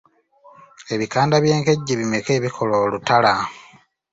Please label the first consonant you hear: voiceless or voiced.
voiced